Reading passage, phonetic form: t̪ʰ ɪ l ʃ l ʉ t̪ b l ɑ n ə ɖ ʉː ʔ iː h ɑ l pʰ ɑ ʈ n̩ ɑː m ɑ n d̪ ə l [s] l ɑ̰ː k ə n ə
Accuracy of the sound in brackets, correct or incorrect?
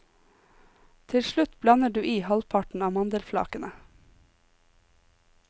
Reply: incorrect